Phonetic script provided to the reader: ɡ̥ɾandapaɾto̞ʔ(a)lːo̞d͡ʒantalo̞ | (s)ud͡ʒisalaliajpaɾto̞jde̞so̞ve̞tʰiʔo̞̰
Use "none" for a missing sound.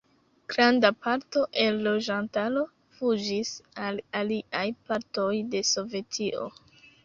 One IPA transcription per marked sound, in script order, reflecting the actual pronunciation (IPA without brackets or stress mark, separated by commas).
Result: e, f